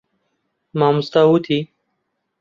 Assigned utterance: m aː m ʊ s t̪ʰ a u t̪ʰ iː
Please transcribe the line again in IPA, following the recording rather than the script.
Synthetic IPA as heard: m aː m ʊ s t̪ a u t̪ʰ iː